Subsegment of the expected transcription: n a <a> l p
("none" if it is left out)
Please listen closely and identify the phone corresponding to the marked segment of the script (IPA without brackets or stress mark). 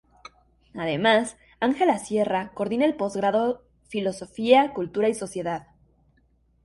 e